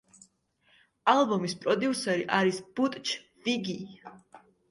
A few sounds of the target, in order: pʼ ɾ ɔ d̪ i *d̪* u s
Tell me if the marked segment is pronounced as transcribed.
no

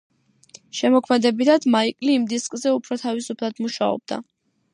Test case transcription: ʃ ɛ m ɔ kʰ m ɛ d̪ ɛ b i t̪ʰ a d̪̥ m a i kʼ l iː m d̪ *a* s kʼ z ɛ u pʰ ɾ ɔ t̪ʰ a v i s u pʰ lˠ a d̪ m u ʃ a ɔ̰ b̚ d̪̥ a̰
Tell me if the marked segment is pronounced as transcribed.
no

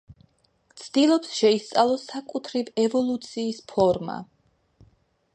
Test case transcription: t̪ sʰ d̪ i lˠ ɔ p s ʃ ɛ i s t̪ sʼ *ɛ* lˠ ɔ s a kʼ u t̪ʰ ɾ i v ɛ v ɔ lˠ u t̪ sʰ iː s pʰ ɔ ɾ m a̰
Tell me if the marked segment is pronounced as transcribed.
no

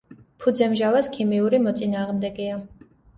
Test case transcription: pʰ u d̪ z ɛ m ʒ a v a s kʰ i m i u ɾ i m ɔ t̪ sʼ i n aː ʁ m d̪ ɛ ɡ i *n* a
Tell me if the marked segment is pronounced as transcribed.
no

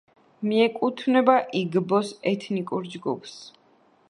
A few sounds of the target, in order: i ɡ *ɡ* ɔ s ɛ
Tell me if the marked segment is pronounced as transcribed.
no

